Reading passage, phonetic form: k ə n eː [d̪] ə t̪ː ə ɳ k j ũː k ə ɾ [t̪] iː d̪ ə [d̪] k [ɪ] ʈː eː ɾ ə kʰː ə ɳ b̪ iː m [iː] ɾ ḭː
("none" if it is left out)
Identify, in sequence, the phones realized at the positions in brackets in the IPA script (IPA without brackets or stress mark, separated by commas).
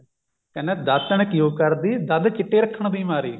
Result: d̪, d̪, d̪, ɪ, aː